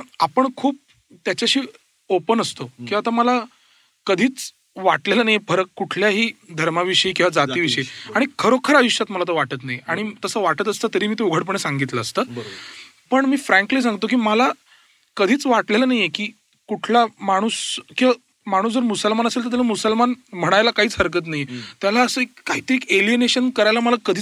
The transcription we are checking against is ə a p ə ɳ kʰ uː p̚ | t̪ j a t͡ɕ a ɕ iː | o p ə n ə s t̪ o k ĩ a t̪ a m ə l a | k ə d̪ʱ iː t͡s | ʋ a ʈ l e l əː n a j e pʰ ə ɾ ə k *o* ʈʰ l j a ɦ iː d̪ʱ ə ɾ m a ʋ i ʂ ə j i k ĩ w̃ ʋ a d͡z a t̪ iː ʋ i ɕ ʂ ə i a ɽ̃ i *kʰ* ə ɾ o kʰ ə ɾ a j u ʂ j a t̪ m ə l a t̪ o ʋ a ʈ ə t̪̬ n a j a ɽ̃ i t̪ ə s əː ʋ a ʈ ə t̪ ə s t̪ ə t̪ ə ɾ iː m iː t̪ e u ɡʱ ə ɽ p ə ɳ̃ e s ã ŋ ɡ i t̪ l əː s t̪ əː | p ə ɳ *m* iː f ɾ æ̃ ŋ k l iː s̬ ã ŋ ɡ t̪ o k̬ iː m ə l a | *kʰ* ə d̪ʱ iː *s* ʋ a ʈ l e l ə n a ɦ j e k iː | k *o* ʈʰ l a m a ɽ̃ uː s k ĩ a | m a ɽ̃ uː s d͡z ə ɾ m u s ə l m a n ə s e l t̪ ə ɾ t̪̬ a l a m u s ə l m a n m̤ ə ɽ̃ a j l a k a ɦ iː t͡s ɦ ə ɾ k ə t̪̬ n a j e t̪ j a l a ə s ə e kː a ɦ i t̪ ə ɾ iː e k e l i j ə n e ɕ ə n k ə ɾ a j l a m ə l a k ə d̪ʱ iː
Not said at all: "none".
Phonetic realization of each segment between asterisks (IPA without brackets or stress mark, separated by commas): u, kʰ, m, k, t͡s, u